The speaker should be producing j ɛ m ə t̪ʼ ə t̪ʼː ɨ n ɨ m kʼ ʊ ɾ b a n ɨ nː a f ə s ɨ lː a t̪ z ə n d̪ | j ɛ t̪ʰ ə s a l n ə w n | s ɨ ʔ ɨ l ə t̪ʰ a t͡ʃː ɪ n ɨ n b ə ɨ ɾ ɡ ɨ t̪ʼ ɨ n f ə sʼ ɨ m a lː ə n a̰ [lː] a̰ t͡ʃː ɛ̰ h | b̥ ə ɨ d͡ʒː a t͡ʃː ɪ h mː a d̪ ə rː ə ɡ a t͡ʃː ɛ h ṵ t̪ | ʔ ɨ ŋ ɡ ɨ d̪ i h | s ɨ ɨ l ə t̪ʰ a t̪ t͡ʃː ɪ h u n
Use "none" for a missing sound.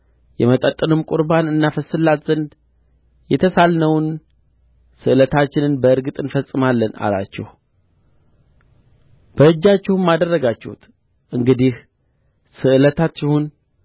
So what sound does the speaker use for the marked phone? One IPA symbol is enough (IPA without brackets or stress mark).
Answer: l